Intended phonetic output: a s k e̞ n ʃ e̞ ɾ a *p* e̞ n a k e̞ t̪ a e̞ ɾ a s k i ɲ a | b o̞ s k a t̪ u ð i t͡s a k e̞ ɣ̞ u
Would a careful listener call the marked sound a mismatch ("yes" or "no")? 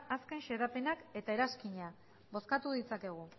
no